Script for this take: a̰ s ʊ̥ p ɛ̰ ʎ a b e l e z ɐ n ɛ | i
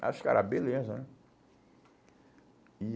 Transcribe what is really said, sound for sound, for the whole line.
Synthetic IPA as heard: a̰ ʃ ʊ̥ k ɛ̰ ɾ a b e l e z ɐ n ɛ | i